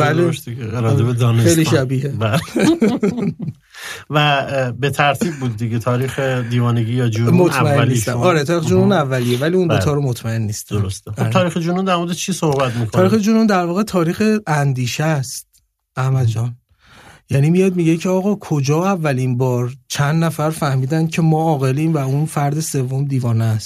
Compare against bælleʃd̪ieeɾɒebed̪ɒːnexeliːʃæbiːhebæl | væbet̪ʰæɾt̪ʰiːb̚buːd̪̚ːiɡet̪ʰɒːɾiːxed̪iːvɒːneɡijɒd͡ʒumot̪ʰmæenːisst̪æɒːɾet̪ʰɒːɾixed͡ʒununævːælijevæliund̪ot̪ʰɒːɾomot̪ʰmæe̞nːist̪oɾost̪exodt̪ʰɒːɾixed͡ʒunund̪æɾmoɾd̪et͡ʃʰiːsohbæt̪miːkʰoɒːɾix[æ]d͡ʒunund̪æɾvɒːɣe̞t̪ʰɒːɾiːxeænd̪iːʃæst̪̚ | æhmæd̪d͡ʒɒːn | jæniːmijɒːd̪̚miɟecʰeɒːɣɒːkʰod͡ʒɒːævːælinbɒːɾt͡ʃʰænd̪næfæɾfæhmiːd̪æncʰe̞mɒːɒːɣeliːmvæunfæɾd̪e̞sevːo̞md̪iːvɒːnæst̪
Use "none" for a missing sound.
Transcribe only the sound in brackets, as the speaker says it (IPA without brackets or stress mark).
e